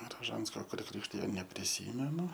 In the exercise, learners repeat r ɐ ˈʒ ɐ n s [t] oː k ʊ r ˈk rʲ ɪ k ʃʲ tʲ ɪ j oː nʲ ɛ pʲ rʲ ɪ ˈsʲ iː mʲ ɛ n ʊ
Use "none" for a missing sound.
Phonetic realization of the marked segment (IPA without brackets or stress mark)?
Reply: k